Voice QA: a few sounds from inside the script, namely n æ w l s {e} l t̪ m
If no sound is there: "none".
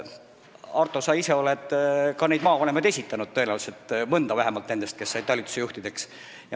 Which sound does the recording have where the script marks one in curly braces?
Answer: e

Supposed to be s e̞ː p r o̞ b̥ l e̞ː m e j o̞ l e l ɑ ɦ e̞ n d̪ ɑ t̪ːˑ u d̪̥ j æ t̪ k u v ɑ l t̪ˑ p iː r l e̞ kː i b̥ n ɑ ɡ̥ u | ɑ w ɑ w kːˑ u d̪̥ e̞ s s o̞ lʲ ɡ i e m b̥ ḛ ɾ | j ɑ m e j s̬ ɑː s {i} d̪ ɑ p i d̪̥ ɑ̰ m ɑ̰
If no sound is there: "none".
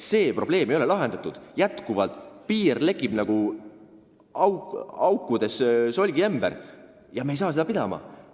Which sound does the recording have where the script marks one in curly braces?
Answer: e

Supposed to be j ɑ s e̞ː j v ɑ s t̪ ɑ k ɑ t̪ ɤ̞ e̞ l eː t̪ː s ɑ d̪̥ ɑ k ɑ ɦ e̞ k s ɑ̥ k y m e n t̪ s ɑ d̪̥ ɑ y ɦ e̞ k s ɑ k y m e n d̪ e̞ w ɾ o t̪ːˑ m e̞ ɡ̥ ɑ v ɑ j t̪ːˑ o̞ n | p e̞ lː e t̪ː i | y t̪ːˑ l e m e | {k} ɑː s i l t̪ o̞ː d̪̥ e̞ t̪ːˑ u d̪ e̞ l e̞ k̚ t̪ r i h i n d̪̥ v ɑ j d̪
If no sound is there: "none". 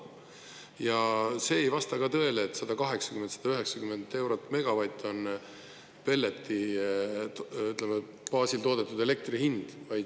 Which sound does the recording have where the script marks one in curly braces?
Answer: p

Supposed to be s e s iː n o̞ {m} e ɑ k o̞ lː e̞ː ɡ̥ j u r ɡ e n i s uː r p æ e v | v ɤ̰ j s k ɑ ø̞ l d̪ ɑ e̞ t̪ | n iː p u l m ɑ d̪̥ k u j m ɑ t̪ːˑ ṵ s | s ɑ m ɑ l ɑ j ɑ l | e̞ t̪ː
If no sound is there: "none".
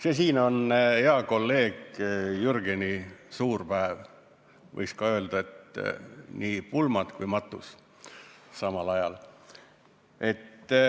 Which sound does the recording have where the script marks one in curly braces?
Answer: n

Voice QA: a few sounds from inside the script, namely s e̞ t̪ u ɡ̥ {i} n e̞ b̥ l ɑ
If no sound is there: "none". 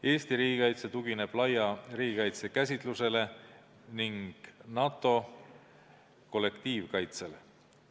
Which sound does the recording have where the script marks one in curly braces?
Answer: i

